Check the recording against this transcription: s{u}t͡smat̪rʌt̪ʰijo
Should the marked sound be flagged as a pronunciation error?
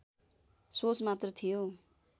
yes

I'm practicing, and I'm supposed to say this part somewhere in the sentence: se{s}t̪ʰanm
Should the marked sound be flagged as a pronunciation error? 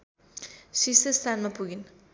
no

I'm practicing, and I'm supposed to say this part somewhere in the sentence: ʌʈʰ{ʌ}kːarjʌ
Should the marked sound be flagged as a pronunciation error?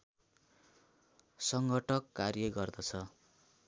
no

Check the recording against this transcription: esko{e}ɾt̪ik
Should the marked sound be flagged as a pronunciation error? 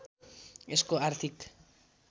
yes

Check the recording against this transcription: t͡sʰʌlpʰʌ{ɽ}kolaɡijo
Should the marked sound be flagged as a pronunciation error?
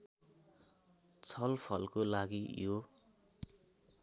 yes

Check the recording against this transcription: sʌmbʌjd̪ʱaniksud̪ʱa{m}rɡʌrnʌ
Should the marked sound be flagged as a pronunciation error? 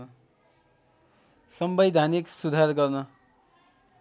yes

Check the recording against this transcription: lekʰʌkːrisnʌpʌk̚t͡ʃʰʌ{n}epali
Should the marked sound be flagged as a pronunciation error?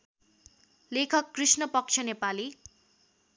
no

